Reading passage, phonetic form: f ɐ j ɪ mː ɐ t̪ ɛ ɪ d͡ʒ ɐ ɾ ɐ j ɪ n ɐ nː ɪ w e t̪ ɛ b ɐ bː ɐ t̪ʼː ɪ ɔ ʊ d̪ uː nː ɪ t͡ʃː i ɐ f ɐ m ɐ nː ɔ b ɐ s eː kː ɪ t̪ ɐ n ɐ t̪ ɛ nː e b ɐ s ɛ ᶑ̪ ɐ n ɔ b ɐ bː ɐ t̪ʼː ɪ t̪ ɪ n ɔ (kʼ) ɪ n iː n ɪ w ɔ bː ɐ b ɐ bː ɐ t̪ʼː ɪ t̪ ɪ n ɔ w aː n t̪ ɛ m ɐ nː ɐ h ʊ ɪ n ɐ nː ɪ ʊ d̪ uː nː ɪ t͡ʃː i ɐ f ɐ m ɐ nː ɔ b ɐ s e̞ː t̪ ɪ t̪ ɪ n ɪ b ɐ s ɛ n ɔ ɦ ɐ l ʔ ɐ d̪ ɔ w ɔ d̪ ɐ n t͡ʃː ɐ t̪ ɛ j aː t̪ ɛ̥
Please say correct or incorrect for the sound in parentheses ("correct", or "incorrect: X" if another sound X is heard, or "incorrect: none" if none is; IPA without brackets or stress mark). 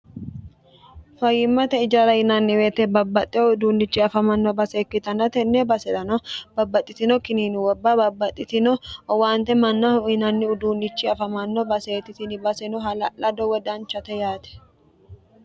incorrect: k